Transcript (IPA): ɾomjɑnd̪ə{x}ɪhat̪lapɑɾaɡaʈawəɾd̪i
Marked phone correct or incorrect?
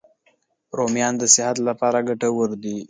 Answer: incorrect